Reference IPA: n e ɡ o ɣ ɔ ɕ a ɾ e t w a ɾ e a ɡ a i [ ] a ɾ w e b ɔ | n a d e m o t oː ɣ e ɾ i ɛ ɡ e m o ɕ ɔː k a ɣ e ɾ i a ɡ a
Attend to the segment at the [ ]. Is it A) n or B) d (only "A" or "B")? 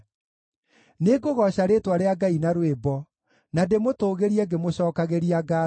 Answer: A